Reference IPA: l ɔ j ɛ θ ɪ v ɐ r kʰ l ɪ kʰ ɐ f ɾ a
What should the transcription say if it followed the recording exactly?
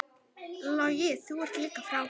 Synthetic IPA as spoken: l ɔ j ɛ s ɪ w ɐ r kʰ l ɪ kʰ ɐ f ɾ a